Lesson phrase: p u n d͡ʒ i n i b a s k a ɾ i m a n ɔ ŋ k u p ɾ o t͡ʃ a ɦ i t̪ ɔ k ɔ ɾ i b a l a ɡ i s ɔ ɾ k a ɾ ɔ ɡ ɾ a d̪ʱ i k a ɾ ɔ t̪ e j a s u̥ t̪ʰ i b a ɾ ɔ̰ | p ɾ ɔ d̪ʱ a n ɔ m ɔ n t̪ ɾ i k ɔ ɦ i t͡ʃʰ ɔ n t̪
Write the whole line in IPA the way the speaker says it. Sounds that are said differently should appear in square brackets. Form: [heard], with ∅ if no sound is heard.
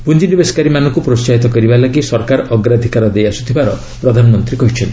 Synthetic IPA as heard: p u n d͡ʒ i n i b [e] s k a ɾ i m a n ɔ ŋ k u p ɾ o t͡ʃ a ɦ i t̪ ɔ k ɔ ɾ i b a l a ɡ i s ɔ ɾ k a ɾ ɔ ɡ ɾ a d̪ʱ i k a ɾ ɔ [d̪] e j a s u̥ t̪ʰ i b a ɾ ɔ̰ | p ɾ ɔ d̪ʱ a n ɔ m ɔ n t̪ ɾ i k ɔ ɦ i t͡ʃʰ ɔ n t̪